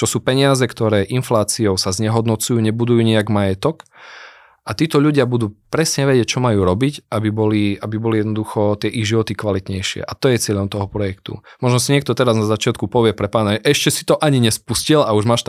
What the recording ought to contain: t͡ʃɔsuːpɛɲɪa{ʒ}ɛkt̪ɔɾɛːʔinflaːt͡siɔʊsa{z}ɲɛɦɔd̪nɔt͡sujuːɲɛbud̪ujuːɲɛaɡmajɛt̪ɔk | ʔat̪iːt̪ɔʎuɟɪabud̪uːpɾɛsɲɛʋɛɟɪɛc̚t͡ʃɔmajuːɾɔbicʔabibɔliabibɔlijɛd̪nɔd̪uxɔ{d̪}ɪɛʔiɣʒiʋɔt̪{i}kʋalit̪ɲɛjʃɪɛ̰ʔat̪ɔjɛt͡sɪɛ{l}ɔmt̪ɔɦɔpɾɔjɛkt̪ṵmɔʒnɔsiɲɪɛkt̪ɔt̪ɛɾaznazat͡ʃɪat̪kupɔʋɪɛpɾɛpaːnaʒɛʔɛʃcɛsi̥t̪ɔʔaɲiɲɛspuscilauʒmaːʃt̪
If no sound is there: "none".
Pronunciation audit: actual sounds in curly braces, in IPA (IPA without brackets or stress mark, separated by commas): z, z, t̪, i, ʎ